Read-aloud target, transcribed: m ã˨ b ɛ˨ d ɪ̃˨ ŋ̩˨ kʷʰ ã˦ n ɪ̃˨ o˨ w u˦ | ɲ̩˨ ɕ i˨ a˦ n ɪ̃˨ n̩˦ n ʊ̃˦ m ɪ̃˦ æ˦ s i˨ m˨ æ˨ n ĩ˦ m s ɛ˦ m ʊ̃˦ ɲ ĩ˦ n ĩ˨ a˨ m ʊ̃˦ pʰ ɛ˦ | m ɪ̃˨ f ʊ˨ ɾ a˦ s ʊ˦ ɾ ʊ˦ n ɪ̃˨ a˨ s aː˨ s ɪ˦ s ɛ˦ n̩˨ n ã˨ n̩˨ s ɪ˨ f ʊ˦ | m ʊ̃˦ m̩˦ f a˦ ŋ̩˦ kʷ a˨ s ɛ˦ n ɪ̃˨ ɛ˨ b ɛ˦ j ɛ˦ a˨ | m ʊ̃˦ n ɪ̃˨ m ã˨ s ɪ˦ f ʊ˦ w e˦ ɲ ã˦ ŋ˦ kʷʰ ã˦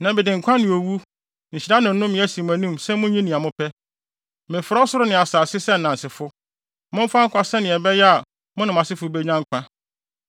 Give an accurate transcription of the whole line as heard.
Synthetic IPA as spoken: n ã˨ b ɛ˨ d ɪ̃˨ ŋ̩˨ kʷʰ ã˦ n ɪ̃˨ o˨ w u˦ | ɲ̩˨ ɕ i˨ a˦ n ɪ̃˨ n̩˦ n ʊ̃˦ m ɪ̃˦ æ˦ s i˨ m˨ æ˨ n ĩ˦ m s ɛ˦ m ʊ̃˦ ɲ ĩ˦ n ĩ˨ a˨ m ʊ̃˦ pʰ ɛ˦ | m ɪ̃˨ f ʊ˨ ɾ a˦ s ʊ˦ ɾ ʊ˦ n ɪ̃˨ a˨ s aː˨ s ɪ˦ s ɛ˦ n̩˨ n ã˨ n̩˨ s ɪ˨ f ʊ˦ | m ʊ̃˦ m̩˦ f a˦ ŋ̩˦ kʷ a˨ s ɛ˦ n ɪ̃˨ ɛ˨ b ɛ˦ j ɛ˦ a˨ | m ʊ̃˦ n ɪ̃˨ m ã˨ s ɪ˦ f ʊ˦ b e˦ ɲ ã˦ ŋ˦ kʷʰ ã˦

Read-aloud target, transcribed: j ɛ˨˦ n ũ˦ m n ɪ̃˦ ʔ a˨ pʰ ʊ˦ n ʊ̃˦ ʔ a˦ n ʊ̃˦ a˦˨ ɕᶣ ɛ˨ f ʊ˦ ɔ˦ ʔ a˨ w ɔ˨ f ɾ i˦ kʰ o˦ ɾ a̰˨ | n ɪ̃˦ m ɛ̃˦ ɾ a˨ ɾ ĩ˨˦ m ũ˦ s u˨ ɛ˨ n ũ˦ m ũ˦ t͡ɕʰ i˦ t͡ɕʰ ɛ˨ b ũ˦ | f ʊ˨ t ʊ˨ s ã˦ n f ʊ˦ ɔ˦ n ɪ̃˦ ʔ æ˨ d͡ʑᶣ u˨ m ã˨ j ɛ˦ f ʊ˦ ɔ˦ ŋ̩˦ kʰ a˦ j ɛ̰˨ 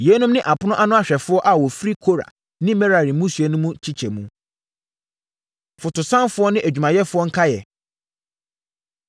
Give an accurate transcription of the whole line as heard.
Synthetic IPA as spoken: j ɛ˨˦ n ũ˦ m n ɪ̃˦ ʔ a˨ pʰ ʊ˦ n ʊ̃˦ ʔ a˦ n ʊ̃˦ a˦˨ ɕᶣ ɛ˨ f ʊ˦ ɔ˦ ʔ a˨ w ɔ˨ f ɾ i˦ kʰ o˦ ɾ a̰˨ | n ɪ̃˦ m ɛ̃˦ ɾ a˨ ɾ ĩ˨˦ m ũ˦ s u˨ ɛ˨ n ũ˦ m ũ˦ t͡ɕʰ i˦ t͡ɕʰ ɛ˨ m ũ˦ | f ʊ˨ t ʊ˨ s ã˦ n f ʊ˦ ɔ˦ n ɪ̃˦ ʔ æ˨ d͡ʑᶣ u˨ m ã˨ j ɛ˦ f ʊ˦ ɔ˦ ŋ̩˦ kʰ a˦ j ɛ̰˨

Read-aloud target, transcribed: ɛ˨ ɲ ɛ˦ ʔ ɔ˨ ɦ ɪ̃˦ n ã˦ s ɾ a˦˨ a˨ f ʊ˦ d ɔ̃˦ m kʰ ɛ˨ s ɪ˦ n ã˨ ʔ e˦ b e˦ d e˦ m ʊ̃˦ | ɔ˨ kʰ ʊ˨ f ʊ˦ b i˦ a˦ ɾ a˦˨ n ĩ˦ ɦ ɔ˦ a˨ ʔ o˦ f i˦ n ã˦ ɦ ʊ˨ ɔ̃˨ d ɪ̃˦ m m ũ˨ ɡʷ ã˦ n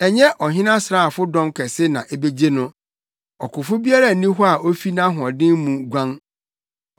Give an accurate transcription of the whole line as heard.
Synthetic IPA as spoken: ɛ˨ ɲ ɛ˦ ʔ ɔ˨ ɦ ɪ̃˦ n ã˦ s ɾ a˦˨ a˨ f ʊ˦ d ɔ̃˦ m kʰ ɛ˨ s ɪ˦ n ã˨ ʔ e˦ b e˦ d͡ʑ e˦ n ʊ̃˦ | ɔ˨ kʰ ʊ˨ f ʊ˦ b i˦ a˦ ɾ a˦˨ n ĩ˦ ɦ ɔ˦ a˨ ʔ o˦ f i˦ n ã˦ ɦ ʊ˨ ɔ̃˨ d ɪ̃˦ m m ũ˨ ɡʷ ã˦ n

